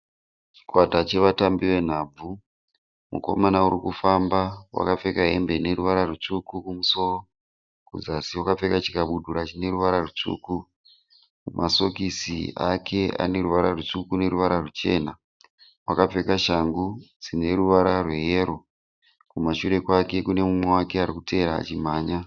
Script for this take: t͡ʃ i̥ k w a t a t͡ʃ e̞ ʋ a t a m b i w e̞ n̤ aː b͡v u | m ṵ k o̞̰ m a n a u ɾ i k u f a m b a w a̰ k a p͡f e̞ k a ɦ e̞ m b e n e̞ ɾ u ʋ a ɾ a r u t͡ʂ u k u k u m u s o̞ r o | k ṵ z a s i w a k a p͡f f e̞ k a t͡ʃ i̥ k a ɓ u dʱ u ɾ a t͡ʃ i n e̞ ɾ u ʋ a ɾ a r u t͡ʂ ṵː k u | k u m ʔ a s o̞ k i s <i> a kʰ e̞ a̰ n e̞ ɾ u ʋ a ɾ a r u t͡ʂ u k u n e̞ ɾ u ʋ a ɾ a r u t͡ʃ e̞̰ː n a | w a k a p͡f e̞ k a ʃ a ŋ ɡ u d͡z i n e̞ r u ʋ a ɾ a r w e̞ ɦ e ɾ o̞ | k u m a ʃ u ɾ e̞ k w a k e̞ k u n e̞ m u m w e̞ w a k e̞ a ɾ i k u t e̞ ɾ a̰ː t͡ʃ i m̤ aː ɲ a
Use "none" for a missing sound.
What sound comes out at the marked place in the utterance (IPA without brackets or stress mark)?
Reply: i